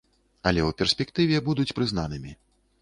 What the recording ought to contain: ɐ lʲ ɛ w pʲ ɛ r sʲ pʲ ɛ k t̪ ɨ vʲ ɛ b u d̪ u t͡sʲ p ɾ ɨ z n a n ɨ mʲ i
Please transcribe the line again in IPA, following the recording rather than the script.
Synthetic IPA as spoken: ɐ lʲ ɛ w pʲ ɛ r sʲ pʲ ɛ k t̪ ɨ vʲ ɛ b u d̪ u t͡sʲ p ɾ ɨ z n a n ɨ mʲ i